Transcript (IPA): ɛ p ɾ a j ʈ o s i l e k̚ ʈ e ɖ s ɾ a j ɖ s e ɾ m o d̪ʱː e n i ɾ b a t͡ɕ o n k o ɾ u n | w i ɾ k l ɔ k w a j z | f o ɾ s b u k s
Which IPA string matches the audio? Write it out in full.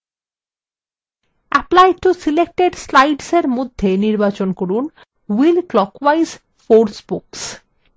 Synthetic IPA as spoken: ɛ p l a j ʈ u s i l e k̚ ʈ e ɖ s l a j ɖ s e ɾ m o d̪ʱː e n i ɾ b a t͡ɕ o n k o ɾ u n | w i l k l ɔ k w a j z | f o ɾ s b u k s